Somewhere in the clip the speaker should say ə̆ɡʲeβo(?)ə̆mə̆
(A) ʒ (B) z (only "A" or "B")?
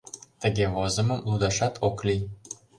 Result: B